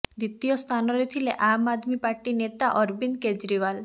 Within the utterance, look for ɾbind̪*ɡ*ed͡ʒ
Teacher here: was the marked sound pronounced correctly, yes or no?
no